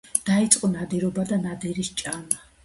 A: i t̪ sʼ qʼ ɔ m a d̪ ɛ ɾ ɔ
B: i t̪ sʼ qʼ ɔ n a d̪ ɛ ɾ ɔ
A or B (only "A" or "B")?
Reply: B